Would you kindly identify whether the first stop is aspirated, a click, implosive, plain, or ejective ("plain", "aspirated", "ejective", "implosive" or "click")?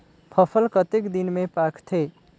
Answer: aspirated